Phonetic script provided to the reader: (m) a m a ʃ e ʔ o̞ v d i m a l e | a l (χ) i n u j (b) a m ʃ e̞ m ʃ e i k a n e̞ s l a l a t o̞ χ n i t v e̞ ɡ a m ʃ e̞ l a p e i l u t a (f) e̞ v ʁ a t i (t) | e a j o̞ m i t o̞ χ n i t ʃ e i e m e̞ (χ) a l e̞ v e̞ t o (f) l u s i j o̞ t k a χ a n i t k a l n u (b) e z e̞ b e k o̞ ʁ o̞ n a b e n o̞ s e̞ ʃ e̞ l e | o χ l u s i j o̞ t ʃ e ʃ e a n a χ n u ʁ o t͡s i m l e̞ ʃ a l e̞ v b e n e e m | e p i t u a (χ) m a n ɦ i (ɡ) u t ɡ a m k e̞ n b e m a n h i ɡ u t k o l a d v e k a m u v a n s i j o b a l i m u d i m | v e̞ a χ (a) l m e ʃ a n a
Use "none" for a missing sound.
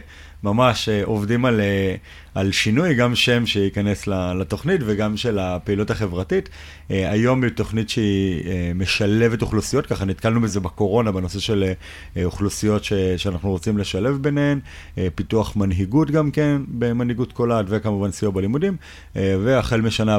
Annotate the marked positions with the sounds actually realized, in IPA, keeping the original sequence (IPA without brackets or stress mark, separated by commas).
m, ʃ, ɡ, χ, t, ʃ, χ, b, χ, ɡ, e